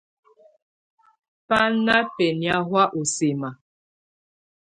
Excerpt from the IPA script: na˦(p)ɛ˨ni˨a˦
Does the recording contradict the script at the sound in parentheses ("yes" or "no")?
no